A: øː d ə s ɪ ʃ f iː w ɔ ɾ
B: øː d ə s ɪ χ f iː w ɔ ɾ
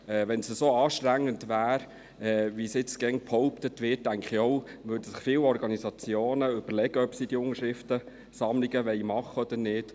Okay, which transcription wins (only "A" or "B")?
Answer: B